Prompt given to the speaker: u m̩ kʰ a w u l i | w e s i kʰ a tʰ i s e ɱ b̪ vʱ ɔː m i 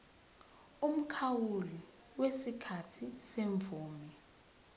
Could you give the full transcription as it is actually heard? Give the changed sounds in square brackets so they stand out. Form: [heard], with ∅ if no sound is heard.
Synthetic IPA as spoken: u m̩ kʰ a w u l i | w e s i kʰ a tʰ i s e ɱ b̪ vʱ [uː] m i